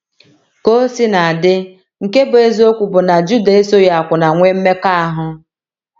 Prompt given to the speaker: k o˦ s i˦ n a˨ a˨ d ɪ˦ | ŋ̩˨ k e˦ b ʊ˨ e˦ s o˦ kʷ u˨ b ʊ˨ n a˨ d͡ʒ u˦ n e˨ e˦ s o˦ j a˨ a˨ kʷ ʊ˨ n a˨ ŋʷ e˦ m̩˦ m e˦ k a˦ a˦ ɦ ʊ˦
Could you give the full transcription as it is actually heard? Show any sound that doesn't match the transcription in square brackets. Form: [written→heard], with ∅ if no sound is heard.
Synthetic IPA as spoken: k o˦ s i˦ n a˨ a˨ d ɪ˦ | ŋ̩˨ k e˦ b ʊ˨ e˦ [s→z] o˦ kʷ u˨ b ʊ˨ n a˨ d͡ʒ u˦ [n→d] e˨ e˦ s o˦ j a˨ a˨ kʷ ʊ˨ n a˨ ŋʷ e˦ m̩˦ m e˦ k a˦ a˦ ɦ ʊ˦